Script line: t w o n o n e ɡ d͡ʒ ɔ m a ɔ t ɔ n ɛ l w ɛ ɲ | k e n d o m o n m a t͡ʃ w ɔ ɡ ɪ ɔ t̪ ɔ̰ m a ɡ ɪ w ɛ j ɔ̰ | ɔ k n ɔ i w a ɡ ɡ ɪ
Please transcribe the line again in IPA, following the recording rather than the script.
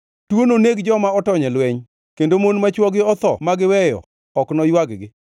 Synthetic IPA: t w o n o n e ɡ d͡ʒ ɔ m a ɔ t ɔ ɲ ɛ l w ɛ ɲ | k e n d o m o n m a t͡ʃ w ɔ ɡ ɪ ɔ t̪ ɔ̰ m a ɡ ɪ w ɛ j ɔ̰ | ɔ k n ɔ j w a ɡ ɡ ɪ